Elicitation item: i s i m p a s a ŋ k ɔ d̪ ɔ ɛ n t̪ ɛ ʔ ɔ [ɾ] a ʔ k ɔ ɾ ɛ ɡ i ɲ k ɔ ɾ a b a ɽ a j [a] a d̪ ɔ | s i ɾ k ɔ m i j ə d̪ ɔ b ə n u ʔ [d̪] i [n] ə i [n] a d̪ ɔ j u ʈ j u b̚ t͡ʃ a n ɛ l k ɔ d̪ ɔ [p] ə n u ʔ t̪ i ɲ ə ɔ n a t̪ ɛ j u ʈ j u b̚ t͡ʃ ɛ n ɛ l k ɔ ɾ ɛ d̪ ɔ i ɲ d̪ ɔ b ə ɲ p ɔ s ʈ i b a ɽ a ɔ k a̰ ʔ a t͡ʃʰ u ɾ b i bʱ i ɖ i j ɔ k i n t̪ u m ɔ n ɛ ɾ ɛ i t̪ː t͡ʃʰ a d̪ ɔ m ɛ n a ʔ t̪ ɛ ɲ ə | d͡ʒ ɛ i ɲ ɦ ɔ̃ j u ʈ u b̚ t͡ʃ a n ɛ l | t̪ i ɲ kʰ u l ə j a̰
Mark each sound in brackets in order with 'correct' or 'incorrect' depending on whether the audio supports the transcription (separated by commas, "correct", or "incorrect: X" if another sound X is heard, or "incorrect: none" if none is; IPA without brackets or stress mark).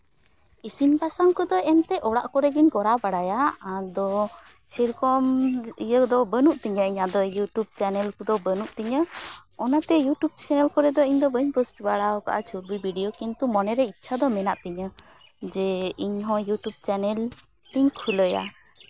incorrect: ɽ, correct, incorrect: t̪, incorrect: ɲ, incorrect: ɲ, incorrect: b